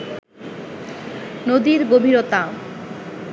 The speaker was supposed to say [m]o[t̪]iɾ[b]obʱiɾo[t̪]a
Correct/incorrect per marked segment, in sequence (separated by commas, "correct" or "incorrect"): incorrect, incorrect, incorrect, correct